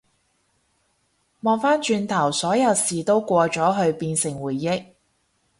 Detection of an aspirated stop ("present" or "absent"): present